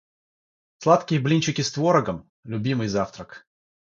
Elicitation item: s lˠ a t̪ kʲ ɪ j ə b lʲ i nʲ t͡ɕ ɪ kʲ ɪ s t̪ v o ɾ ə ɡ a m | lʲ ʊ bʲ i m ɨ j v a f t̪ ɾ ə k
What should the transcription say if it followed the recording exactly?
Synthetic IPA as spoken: s lˠ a t̪ kʲ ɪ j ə b lʲ i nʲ t͡ɕ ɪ kʲ ɪ s t̪ v o ɾ ə ɡ ə m | lʲ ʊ bʲ i m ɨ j z a f t̪ ɾ ə k